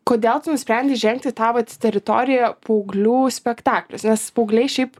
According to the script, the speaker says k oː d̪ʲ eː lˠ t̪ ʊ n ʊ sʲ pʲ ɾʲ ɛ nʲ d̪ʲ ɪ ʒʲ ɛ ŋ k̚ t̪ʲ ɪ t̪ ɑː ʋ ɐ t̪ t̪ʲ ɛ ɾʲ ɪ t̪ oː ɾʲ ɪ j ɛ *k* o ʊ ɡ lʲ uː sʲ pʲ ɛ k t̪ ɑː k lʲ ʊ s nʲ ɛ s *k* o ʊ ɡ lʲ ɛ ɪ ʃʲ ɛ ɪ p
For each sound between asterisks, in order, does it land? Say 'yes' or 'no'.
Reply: no, no

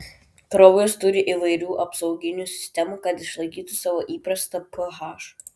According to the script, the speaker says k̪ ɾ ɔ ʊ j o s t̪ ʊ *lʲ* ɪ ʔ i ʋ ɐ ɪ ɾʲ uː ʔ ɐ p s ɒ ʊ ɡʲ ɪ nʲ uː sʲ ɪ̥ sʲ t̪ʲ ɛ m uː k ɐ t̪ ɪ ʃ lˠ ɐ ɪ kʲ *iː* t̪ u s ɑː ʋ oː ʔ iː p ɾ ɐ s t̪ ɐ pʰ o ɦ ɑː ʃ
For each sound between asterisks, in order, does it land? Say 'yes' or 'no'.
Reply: no, yes

